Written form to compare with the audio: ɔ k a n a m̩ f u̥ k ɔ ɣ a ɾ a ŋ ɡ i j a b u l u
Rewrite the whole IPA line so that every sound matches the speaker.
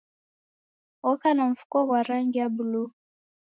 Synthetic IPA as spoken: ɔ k a n a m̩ f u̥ k ɔ w a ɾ a ŋ ɡ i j a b u l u